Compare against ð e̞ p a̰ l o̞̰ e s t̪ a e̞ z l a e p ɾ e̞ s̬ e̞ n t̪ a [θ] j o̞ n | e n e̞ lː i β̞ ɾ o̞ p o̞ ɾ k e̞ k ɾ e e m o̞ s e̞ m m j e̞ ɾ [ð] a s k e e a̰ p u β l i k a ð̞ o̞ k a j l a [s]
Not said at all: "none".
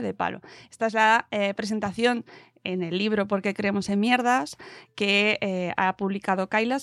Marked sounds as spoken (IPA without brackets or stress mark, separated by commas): θ, ð, s